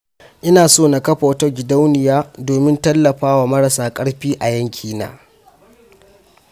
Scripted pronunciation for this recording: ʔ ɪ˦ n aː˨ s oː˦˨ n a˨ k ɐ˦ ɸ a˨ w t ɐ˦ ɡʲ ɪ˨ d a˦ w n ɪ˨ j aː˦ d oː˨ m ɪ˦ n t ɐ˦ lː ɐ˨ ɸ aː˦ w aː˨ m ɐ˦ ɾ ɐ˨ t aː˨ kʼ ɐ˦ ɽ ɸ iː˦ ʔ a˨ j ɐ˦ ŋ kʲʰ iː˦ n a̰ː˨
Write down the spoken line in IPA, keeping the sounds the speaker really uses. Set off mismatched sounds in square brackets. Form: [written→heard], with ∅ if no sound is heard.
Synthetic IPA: ʔ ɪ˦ n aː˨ s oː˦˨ n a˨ k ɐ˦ ɸ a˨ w t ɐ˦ ɡʲ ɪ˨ d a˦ w n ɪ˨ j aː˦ d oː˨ m ɪ˦ n t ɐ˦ lː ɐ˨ ɸ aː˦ w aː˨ m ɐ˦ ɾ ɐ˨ [t→s] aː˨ kʼ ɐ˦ ɽ ɸ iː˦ ʔ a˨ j ɐ˦ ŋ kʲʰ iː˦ n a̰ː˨